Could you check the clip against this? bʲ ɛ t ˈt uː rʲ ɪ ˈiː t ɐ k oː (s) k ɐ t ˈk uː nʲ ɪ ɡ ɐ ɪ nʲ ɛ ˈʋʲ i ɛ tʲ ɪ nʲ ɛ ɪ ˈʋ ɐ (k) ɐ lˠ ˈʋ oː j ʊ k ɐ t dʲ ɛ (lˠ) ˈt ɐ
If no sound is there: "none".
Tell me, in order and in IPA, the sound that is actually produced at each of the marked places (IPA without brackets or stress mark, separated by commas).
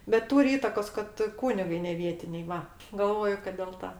s, ɡ, lˠ